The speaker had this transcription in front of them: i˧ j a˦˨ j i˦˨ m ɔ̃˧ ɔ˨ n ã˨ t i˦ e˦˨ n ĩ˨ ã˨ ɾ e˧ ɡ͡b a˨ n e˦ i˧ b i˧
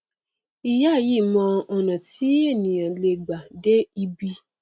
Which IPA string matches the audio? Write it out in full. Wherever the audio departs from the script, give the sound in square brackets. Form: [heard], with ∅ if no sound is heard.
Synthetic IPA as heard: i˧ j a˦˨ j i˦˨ m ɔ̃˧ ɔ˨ n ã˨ t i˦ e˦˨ n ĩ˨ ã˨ [l] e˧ ɡ͡b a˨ [d] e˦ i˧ b i˧